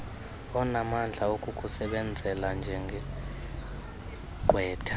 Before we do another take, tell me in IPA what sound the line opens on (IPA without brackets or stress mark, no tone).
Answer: ɔ